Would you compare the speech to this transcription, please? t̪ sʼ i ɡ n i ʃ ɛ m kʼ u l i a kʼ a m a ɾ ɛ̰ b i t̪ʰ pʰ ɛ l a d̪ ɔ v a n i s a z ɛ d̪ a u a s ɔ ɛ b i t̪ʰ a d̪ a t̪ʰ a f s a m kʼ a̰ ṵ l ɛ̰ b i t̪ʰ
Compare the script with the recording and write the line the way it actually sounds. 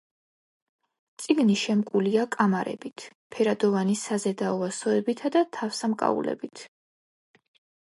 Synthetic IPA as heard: t̪ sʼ i ɡ n i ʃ ɛ m kʼ u l i a kʼ a m a ɾ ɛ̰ b i t̪ʰ pʰ ɛ ɾ a d̪ ɔ v a n i s a z ɛ d̪ a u a s ɔ ɛ b i t̪ʰ a d̪ a t̪ʰ a f s a m kʼ a̰ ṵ l ɛ̰ b i t̪ʰ

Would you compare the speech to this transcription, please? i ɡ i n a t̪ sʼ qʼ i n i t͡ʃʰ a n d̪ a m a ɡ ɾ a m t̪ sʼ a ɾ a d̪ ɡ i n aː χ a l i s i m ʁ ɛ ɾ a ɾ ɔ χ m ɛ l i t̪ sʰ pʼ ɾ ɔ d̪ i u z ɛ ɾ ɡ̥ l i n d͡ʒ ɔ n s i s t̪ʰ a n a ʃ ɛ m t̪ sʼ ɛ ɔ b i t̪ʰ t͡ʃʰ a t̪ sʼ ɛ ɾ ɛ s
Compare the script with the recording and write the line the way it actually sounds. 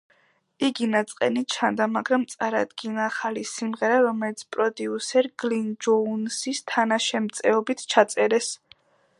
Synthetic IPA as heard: i ɡ i n a t̪ sʼ qʼ ɛ n i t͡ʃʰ a n d̪ a m a ɡ ɾ a m t̪ sʼ a ɾ a d̪ ɡ i n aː χ a l i s i m ʁ ɛ ɾ a ɾ ɔ m ɛ l i t̪ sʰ pʼ ɾ ɔ d̪ i u s ɛ ɾ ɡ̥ l i n d͡ʒ ɔ n s i s t̪ʰ a n a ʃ ɛ m t̪ sʼ ɛ ɔ b i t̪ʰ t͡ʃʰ a t̪ sʼ ɛ ɾ ɛ s

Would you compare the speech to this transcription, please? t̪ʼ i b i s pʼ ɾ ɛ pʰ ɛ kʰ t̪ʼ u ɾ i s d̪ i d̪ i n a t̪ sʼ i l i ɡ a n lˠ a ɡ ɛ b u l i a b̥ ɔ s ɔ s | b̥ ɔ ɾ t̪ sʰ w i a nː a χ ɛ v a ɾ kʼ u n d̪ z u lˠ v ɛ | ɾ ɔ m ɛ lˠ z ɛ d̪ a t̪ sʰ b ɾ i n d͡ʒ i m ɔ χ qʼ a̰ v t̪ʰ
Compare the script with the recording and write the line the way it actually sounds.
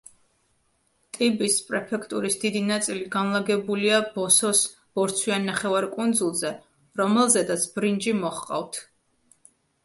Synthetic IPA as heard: t̪ʼ i b i s pʼ ɾ ɛ pʰ ɛ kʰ t̪ʼ u ɾ i s d̪ i d̪ i n a t̪ sʼ i l i ɡ a n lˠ a ɡ ɛ b u l i a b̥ ɔ s ɔ s | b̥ ɔ ɾ t̪ sʰ w i a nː a χ ɛ v a ɾ kʼ u n d̪ z u lˠ z ɛ | ɾ ɔ m ɛ lˠ z ɛ d̪ a t̪ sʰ b ɾ i n d͡ʒ i m ɔ χ qʼ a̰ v t̪ʰ

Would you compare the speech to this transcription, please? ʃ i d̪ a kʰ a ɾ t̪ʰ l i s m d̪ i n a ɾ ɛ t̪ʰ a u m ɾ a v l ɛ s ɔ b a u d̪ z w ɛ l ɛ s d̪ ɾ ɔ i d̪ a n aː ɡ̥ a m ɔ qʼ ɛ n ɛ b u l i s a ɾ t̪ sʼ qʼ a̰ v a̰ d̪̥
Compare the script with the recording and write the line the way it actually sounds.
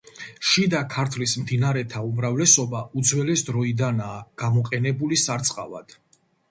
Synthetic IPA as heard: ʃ i d̪ a kʰ a ɾ t̪ʰ l i s m d̪ i n a ɾ ɛ t̪ʰ a u m ɾ a v l ɛ s ɔ b a u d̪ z w ɛ l ɛ s d̪ ɾ ɔ i d̪ a n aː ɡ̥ a m ɔ qʼ ɛ n ɛ b u l i s a ɾ t̪ sʼ qʼ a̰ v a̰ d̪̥

